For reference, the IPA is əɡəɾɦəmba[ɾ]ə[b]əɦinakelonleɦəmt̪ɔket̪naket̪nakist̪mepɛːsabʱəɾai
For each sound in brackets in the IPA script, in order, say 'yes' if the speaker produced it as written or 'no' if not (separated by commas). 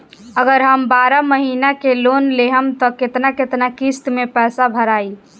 yes, no